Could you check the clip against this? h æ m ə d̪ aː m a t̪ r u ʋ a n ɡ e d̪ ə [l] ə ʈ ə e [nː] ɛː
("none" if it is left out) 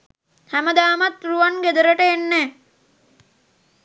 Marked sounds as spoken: ɾ, nː

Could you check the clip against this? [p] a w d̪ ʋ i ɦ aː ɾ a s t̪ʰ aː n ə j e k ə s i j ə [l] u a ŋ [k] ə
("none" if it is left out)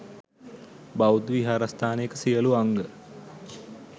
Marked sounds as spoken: b, l, ɡ

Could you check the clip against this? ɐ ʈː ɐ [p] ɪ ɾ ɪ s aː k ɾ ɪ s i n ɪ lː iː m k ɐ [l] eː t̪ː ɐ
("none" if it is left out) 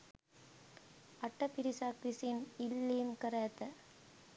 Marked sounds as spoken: p, ɾ

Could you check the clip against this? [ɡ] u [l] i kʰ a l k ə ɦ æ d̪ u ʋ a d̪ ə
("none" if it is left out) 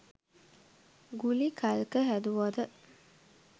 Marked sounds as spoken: ɡ, l

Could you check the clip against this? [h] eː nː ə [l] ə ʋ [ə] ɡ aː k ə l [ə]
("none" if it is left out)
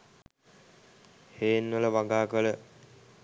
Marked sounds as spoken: h, l, a, ə

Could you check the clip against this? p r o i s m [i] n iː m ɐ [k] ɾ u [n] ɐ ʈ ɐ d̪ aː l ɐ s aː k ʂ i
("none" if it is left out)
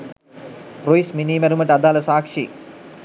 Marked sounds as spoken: i, none, m

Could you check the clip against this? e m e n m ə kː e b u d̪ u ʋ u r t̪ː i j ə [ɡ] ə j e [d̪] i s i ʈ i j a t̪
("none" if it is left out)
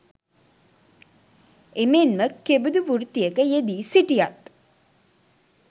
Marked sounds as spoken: k, d̪

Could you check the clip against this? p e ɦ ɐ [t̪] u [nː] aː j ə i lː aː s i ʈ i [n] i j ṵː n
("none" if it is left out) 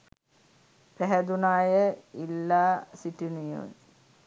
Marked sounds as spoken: d̪, n, n

